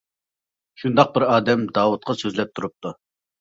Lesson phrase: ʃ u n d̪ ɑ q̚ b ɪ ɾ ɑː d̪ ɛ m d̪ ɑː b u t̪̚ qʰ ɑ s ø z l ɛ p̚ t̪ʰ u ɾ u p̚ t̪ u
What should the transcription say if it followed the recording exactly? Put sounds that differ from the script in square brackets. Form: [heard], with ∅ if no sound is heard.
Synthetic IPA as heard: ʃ u n d̪ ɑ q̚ b ɪ ɾ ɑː d̪ ɛ m d̪ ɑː [w] u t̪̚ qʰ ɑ s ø z l ɛ p̚ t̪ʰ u ɾ u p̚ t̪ u

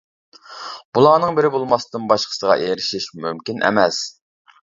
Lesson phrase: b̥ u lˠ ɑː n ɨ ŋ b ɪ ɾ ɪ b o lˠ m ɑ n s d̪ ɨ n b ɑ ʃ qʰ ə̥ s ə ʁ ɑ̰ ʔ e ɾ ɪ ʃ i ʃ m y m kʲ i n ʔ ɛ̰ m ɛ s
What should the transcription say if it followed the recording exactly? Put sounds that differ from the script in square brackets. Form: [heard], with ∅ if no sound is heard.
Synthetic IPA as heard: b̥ u lˠ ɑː n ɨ ŋ b ɪ ɾ ɪ b o lˠ m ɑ [∅] s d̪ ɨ n b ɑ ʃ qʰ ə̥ s ə ʁ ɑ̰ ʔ e ɾ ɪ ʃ i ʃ m y m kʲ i n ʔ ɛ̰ m ɛ s

